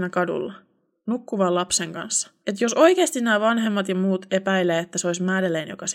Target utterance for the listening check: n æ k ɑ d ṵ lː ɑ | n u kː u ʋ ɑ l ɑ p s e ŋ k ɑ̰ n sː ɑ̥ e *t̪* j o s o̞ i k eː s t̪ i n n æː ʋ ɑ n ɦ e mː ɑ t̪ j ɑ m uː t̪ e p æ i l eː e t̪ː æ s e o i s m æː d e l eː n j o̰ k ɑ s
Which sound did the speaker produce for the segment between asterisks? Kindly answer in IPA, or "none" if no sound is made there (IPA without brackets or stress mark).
t̪